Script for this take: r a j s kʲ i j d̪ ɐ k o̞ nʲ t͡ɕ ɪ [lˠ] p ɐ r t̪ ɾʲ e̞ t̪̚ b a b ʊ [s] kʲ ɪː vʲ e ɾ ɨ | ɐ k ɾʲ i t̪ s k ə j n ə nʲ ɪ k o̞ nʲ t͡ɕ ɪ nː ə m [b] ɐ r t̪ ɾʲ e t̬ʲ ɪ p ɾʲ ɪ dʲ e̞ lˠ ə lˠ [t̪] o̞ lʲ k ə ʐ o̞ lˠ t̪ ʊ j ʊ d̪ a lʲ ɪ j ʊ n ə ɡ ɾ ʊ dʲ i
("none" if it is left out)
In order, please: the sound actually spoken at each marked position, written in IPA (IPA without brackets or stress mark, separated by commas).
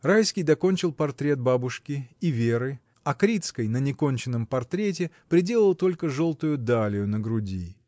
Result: lˠ, ʂ, p, t̪